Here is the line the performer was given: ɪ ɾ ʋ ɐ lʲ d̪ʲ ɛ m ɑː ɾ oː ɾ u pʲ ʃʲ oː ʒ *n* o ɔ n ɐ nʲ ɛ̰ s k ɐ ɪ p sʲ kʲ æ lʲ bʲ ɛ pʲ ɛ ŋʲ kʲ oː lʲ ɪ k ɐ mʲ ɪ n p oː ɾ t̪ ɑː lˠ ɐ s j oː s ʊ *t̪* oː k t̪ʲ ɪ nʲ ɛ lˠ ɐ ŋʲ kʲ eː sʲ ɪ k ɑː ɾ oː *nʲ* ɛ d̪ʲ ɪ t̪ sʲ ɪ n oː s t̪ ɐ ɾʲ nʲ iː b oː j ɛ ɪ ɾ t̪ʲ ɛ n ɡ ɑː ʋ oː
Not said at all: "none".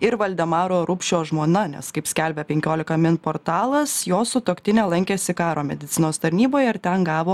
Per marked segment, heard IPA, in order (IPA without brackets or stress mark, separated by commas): m, t̪, mʲ